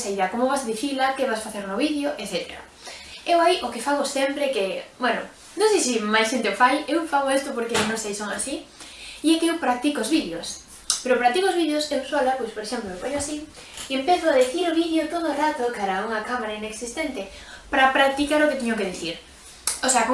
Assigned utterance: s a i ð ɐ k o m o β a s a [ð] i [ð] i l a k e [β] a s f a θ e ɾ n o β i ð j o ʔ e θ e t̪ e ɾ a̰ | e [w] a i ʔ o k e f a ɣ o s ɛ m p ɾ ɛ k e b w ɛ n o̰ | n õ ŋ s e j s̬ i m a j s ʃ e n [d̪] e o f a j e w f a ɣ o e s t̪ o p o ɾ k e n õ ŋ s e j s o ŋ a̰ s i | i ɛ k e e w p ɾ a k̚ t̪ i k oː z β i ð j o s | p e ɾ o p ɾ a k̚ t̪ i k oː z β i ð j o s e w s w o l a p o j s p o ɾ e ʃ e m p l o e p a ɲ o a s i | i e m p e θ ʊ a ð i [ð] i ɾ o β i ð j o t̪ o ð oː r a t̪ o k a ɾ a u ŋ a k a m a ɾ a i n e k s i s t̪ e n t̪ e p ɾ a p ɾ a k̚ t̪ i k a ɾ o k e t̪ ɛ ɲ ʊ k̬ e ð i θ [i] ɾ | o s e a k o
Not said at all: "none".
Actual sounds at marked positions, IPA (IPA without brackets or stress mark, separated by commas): ð, θ, β, w, t̪, θ, i